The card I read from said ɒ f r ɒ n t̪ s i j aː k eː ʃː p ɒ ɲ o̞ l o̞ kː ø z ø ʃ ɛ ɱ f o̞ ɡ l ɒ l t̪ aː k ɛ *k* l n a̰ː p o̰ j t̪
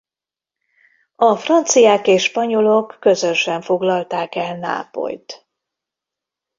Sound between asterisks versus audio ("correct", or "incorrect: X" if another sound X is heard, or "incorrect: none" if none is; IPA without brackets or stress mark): incorrect: none